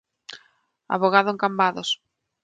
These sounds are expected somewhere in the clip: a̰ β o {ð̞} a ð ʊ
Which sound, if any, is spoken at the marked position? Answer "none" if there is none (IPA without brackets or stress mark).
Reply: ɣ̞